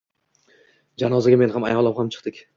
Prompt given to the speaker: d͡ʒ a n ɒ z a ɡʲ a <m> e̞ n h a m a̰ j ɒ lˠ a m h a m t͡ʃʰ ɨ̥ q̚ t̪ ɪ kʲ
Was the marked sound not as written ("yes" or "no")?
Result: no